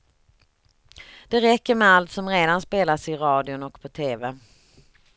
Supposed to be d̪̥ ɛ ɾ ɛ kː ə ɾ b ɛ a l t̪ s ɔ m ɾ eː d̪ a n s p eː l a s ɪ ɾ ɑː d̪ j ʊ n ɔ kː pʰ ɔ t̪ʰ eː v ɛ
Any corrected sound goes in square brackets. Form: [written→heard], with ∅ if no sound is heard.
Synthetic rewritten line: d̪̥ ɛ ɾ ɛ kː ə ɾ [b→m] ɛ a l t̪ s ɔ m ɾ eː d̪ a n s p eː l a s ɪ ɾ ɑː d̪ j ʊ n ɔ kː pʰ ɔ t̪ʰ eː v ɛ